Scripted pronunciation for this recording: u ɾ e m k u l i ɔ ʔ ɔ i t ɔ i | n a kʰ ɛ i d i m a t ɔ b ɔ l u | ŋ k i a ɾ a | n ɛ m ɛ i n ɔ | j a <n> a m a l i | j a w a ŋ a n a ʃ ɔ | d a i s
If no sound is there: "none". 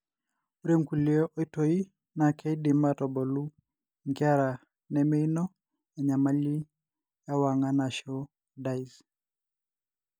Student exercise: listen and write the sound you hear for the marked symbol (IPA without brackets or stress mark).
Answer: ɲ